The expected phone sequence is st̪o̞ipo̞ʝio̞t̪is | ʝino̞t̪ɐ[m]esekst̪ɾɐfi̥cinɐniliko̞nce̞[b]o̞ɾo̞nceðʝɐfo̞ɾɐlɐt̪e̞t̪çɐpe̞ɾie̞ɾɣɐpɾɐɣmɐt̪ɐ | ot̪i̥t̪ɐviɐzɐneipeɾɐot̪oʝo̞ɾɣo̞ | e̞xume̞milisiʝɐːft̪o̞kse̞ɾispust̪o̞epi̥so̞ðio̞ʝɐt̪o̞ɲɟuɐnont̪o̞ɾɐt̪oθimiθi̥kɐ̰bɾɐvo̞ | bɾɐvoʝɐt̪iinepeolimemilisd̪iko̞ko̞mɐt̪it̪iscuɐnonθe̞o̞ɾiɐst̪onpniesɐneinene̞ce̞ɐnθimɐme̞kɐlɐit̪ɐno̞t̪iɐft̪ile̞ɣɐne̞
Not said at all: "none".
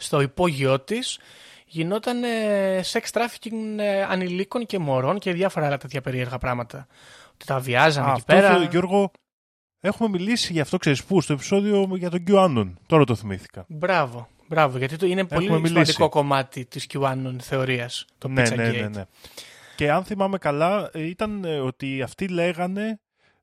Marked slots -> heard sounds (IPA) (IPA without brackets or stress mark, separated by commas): n, m